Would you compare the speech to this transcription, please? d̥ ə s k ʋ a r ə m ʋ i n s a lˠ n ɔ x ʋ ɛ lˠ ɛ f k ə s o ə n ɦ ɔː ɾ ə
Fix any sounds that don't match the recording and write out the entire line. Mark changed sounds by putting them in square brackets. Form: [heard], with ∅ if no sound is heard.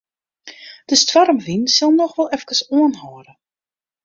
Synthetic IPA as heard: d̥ ə s [t] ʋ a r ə m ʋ i n s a lˠ n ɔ x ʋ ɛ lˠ ɛ f k ə s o ə n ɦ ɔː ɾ ə

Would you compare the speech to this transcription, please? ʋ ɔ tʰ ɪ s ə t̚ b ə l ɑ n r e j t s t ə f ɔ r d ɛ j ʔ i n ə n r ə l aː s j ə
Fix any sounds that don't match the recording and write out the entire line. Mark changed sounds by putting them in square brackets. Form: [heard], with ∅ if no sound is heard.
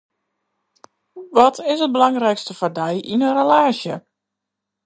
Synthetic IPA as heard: ʋ ɔ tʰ ɪ s ə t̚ b ə l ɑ [ŋ] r [ɛ] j [k] s t ə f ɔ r d ɛ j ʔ i n ə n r ə l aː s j ə

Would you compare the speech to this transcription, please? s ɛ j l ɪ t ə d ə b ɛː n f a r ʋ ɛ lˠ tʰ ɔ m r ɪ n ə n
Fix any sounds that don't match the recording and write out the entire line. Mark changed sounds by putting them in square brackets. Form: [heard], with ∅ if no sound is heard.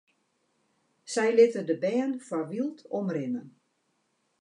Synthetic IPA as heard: s ɛ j l ɪ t ə d ə b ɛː n f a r ʋ [i] lˠ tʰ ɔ m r ɪ n ə n

